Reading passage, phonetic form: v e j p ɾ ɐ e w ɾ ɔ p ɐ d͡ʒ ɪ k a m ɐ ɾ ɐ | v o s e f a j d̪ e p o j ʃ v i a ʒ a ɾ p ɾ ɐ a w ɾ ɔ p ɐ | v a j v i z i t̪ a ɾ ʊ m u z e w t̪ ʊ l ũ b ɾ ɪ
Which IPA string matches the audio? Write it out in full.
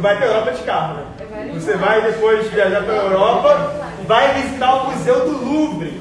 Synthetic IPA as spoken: v a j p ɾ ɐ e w ɾ ɔ p ɐ d͡ʒ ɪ k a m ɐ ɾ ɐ | v o s e v a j d̪ e p o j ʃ v i a ʒ a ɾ p ɾ ɐ e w ɾ ɔ p ɐ | v a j v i z i t̪ a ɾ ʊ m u z e w d̪ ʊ l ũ b ɾ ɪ